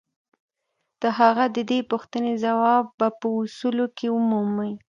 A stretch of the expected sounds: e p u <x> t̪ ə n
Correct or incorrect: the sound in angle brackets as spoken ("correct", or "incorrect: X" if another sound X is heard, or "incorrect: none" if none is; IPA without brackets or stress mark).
correct